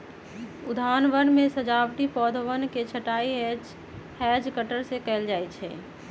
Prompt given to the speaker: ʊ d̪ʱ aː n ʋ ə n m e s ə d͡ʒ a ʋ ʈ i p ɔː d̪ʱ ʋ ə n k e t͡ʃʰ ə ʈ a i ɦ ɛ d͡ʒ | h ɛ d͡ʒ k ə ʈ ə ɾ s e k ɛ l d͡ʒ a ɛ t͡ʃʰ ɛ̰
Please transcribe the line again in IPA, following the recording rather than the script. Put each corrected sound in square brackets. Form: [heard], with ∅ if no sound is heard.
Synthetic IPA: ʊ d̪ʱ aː n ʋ ə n m e s ə d͡ʒ a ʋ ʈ i p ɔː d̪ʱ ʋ ə n k e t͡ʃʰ ə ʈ a i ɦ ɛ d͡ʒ | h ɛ d͡ʒ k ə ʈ ə ɾ s e k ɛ l d͡ʒ a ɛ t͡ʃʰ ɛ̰